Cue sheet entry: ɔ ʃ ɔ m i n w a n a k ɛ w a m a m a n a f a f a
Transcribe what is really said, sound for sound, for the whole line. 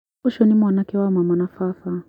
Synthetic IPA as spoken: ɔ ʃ ɔ n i m w a n a k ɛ w a m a m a n a f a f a